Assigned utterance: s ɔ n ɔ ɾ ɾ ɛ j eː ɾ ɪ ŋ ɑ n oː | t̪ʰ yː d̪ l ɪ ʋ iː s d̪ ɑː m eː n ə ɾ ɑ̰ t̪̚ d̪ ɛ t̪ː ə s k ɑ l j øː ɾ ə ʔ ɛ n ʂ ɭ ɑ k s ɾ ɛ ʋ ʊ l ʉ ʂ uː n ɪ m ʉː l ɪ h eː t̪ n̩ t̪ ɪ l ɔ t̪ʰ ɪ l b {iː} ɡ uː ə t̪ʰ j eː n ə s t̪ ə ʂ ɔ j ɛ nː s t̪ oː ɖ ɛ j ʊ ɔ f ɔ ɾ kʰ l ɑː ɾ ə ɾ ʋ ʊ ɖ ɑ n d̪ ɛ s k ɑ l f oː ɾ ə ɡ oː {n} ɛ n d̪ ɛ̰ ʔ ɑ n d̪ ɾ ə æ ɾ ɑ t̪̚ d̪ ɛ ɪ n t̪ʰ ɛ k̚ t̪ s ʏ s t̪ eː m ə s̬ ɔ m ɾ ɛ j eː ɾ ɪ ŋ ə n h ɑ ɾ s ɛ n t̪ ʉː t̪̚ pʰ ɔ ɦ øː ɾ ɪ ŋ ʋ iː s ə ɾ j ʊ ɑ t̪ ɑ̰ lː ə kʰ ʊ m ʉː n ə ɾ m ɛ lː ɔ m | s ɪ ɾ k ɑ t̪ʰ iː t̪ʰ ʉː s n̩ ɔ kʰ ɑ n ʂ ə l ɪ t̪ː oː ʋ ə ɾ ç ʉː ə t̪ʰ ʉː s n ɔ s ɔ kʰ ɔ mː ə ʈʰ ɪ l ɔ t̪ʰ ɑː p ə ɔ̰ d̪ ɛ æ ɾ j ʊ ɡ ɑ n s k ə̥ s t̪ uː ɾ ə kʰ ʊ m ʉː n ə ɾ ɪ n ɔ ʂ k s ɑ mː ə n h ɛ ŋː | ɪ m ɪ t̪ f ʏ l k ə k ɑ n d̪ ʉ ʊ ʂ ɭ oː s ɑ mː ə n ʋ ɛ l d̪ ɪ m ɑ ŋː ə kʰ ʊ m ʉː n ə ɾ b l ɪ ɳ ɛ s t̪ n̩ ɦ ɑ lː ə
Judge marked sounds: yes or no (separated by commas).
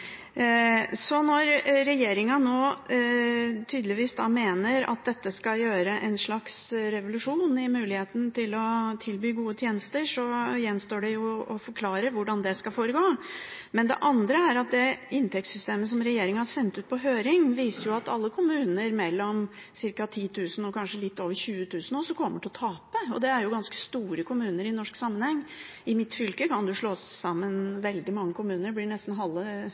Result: no, no